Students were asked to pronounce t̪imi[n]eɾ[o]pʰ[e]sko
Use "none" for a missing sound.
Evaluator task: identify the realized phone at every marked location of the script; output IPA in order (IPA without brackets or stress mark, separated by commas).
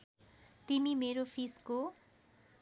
m, o, i